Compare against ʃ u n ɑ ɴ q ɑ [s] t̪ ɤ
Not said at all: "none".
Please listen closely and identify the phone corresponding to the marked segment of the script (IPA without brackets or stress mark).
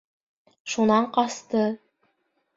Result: s